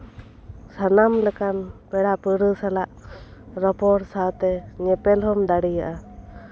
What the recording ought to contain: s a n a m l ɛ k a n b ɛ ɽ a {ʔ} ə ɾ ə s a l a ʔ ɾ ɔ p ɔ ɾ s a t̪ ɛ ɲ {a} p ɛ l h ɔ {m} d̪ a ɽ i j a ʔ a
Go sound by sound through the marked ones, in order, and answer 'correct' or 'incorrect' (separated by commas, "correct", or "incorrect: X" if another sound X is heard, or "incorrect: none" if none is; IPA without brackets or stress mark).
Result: incorrect: p, incorrect: ɛ, correct